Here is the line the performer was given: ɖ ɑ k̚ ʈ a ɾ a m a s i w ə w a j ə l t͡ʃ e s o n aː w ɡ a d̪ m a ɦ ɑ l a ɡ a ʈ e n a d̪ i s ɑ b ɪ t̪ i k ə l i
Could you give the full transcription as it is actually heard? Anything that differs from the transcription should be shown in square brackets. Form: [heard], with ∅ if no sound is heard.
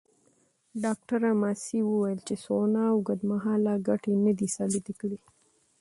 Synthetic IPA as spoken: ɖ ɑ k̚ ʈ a ɾ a m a s i w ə w a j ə l t͡ʃ e s o n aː w ɡ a d̪ m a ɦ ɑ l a ɡ a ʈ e n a d̪ i s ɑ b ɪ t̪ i k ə [ɽ] i